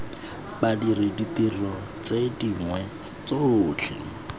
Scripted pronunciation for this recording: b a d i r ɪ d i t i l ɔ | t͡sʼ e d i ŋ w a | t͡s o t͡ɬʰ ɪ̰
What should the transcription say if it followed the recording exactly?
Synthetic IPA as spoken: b a d i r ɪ d i t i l ɔ | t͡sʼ e d i ŋ w ɛ | t͡s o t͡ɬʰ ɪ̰